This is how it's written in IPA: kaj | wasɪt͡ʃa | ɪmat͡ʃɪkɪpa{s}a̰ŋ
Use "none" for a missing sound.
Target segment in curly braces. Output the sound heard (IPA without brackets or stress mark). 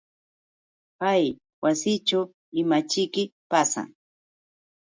s